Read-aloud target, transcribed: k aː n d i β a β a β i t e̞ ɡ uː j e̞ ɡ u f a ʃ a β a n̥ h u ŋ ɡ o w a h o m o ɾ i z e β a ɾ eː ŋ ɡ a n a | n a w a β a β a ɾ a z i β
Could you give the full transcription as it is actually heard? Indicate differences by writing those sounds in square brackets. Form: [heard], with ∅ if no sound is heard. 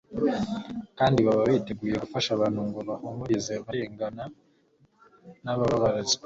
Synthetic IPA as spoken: k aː n d i β a β a β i t e̞ ɡ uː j e̞ ɡ u f a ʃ a β a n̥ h u ŋ ɡ o [β] a h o m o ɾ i z e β a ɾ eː ŋ ɡ a n a | n a [β] a β a β a ɾ a z i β